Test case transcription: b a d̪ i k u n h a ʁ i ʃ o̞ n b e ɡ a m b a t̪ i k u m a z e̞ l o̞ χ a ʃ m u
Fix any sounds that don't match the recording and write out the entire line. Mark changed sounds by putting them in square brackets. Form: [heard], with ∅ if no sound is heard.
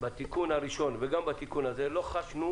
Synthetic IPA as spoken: b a [t̪] i k u n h a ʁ i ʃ o̞ n [v] e ɡ a m b a t̪ i k u [n] a z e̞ l o̞ χ a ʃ [n] u